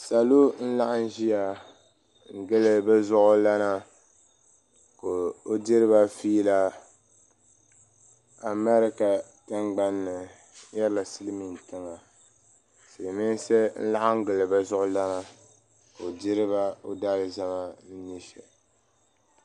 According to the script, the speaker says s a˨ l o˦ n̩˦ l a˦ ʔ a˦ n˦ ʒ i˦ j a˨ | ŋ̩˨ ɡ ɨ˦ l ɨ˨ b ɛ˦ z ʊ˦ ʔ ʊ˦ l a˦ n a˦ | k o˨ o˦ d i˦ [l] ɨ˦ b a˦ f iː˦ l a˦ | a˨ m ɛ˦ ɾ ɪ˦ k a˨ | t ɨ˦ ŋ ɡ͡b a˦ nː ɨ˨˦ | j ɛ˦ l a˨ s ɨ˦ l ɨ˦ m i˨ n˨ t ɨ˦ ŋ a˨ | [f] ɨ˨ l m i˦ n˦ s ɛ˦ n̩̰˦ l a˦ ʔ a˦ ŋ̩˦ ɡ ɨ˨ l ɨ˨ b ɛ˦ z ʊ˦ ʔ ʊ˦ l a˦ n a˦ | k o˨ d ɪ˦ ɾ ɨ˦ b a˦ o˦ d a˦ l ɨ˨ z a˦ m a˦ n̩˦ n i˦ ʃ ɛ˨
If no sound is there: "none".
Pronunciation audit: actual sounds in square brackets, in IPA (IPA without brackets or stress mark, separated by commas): ɾ, s